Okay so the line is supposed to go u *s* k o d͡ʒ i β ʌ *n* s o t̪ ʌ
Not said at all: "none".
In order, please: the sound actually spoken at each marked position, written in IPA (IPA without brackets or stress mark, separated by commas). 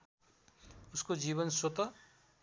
s, n